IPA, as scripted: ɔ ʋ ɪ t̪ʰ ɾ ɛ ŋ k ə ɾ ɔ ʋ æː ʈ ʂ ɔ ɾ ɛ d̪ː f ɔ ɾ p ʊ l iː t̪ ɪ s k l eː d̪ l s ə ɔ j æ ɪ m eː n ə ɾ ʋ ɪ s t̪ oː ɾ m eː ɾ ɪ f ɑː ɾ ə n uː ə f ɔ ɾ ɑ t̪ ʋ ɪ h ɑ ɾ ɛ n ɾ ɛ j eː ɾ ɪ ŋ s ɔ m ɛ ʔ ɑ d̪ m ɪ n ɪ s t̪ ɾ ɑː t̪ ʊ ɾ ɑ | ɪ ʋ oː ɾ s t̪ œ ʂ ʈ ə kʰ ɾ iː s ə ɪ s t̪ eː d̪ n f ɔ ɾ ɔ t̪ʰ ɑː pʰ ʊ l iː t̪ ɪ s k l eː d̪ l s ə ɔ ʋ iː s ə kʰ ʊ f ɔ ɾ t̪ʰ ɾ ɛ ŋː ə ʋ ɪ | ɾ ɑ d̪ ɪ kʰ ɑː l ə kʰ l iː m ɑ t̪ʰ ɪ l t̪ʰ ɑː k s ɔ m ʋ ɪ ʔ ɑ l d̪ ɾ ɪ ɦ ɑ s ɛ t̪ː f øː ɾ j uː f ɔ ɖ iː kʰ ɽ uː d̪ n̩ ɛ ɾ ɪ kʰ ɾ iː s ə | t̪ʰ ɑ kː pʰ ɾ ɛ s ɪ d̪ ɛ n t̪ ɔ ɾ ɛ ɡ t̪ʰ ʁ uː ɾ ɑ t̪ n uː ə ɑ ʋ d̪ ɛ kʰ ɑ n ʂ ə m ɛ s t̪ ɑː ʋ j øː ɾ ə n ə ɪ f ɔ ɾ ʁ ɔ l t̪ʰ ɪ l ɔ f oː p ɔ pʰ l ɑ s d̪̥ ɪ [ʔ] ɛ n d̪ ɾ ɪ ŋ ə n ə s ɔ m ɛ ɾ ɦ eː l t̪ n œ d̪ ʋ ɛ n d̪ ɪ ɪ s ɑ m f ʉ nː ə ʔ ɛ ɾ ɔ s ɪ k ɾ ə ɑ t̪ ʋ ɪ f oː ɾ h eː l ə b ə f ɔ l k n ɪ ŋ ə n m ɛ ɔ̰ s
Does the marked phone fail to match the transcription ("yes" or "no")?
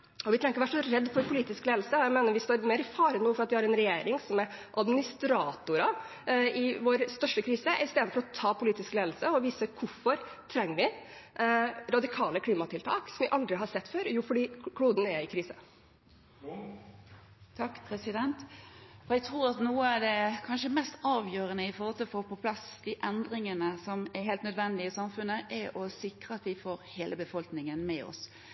no